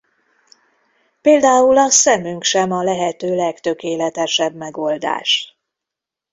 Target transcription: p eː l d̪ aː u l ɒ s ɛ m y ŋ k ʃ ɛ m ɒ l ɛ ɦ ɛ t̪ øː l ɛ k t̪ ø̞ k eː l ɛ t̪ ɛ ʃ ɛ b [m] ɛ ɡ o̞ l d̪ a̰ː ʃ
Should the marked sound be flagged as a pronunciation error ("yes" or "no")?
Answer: no